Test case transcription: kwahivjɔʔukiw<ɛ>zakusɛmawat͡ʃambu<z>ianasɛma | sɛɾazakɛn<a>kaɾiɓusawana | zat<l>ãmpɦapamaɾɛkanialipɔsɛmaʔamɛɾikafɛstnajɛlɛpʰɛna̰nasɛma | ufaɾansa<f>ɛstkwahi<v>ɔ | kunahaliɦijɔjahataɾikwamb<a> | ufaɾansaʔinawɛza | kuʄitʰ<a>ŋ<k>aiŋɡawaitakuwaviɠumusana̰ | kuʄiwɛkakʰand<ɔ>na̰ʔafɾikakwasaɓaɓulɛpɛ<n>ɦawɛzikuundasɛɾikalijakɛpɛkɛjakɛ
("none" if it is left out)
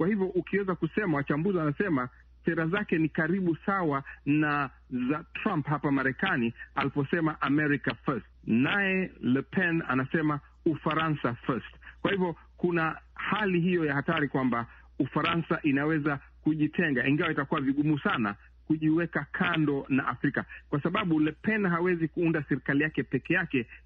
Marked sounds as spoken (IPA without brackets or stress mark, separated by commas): ɛ, z, i, ɾ, f, v, a, ɛ, ɡ, ɔ, n